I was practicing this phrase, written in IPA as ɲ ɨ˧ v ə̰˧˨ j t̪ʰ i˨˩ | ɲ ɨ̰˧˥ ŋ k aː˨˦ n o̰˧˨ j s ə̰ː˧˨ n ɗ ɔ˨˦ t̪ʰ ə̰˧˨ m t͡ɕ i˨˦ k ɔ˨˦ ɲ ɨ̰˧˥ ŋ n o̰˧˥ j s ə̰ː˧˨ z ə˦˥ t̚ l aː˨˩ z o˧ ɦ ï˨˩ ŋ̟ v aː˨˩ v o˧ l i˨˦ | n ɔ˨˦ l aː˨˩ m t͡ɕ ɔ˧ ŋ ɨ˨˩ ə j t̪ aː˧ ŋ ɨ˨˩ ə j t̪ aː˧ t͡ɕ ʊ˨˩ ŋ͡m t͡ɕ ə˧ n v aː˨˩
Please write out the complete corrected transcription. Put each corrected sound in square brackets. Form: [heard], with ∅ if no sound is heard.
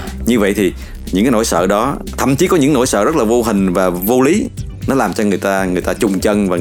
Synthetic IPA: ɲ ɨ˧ v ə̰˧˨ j t̪ʰ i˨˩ | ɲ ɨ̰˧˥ ŋ k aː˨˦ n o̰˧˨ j s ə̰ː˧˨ [∅] ɗ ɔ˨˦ t̪ʰ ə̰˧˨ m t͡ɕ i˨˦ k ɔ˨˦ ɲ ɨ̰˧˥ ŋ n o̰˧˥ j s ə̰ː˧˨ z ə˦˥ t̚ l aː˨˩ [v] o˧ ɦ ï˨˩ ŋ̟ v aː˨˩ v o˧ l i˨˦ | n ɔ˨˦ l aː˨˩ m t͡ɕ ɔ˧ ŋ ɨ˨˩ ə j t̪ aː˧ ŋ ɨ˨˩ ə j t̪ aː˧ t͡ɕ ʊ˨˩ ŋ͡m t͡ɕ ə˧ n v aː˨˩